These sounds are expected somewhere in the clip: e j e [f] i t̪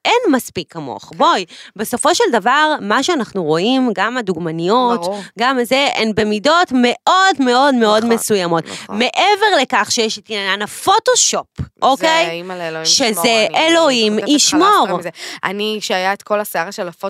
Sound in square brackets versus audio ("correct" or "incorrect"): incorrect